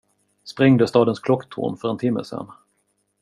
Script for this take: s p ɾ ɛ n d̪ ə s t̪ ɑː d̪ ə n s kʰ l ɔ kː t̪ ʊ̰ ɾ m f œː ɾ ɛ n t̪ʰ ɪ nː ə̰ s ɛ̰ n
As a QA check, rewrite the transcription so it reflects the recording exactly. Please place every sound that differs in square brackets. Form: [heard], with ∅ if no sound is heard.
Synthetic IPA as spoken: s p ɾ ɛ [ŋ] d̪ ə s t̪ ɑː d̪ ə n s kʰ l ɔ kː [t̪ʰ] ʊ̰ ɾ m f [œ] ɾ ɛ n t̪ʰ ɪ [mː] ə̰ s ɛ̰ n

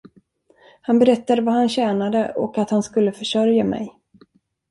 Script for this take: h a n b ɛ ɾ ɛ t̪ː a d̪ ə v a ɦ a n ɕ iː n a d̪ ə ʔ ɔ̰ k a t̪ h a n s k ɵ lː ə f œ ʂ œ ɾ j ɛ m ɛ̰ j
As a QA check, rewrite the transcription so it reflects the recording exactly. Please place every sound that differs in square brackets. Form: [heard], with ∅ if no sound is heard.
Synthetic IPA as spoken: h a n b ɛ ɾ ɛ t̪ː a d̪ ə v a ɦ a n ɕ [ɛː] n a d̪ ə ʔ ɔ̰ k a t̪ h a n s k ɵ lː ə f œ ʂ œ ɾ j [a] m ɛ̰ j

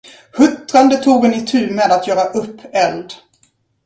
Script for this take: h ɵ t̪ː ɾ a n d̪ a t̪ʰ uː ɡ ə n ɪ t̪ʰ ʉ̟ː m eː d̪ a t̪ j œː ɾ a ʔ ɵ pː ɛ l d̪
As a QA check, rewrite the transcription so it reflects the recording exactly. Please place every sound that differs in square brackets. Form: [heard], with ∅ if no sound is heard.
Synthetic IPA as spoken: h ɵ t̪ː ɾ a n d̪ [ə] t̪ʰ uː ɡ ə n ɪ t̪ʰ ʉ̟ː m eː d̪ a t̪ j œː ɾ a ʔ ɵ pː ɛ l d̪

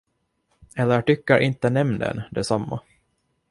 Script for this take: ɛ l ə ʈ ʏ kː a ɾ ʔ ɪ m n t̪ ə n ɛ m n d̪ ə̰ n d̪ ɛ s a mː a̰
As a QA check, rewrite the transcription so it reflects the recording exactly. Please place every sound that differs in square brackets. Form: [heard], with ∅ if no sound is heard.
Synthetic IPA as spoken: ɛ [lː] ə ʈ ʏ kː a ɾ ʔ ɪ [∅] n t̪ ə n ɛ m n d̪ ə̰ n d̪ ɛ s a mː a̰

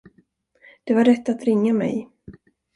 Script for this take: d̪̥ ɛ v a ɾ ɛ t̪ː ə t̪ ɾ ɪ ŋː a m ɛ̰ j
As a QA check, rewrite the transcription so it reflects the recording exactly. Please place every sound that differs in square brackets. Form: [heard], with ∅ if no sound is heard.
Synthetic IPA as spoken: d̪̥ ɛ v a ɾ ɛ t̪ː [a] t̪ ɾ ɪ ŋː a m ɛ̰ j

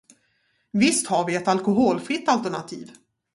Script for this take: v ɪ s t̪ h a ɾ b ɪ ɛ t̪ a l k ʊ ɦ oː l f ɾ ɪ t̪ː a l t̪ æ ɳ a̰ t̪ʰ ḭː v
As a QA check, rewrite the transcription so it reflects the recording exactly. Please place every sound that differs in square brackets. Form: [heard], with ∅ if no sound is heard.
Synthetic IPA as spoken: v ɪ s t̪ h a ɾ [v] ɪ ɛ t̪ a l k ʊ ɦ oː l f ɾ ɪ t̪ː a l t̪ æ ɳ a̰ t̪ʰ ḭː v

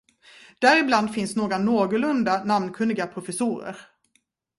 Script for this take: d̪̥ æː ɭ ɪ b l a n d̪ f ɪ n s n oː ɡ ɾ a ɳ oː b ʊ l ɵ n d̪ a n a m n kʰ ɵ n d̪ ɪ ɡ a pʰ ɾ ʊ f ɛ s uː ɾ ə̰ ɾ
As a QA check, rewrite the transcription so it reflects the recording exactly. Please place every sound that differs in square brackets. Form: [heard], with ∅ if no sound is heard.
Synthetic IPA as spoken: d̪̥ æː [ɾ] ɪ b l a n d̪ f ɪ n s n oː ɡ ɾ a [n] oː [ɡ] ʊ l ɵ n d̪ a n a m n kʰ ɵ n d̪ ɪ ɡ a pʰ ɾ ʊ f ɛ s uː ɾ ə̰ ɾ

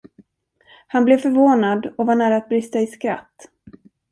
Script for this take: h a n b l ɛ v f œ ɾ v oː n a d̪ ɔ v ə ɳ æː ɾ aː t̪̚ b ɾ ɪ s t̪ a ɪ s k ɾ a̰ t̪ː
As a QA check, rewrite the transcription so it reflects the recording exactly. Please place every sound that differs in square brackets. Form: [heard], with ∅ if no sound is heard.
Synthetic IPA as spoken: h a n b l ɛ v f œ ɾ v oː n a d̪ ɔ v [a] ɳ æː ɾ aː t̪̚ b ɾ ɪ s t̪ a ɪ s k ɾ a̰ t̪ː

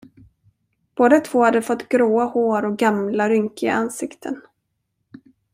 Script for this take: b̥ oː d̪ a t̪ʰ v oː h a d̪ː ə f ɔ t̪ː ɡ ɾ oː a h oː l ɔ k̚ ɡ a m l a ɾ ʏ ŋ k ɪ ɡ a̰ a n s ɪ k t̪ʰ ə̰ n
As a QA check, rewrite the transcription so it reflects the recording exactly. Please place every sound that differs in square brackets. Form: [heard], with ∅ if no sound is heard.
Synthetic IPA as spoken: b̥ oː d̪ a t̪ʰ v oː h a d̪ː ə f ɔ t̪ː ɡ ɾ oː a h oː [ɾ] ɔ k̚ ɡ a m l a ɾ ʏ ŋ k ɪ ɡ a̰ a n s ɪ k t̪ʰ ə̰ n

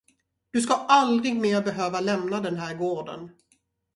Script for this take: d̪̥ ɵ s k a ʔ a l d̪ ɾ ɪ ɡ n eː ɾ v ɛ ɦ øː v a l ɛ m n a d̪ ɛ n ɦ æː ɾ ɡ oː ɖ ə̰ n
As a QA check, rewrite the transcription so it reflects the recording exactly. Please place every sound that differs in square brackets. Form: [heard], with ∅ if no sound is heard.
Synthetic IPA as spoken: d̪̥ ɵ s k a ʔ a l d̪ ɾ ɪ ɡ [m] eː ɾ [b] ɛ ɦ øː v a l ɛ m n a d̪ ɛ n ɦ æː ɾ ɡ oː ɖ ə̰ n

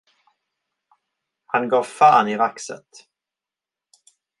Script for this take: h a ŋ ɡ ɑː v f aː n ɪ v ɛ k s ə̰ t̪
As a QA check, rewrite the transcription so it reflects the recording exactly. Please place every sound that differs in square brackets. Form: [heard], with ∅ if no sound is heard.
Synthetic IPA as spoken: h a [n] ɡ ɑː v f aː n ɪ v [a] k s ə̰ t̪

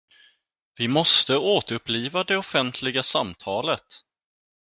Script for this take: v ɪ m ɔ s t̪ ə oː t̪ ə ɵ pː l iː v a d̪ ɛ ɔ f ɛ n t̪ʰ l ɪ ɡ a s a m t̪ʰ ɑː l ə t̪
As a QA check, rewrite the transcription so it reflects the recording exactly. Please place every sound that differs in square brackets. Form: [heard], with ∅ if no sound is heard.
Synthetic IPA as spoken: v ɪ m ɔ s t̪ ə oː t̪ ə ɵ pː l iː v a d̪ ɛ ɔ f ɛ n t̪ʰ l ɪ ɡ a s a m t̪ʰ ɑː l ə t̪

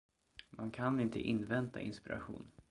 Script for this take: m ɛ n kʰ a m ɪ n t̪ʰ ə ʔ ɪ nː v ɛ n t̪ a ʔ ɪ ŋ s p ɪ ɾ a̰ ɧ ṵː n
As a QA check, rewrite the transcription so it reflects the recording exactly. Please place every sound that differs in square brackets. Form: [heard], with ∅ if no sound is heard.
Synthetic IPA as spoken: m [a] n kʰ a [n] ɪ n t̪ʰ ə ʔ ɪ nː v ɛ n t̪ a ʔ ɪ [n] s p ɪ ɾ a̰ ɧ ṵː n

